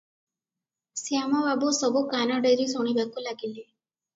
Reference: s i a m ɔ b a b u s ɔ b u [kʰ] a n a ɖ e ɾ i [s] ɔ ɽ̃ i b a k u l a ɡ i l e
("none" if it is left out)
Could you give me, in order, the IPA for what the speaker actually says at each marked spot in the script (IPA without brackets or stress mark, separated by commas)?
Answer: k, s